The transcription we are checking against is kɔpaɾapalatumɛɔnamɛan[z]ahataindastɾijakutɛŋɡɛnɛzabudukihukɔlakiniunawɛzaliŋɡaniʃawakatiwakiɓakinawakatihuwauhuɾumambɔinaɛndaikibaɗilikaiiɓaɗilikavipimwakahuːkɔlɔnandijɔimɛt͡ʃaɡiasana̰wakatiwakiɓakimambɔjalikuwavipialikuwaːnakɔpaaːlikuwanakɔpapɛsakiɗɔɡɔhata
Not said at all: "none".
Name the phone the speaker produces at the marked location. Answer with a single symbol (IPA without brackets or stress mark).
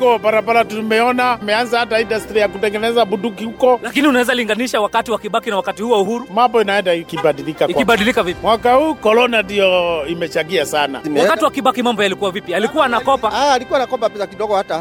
z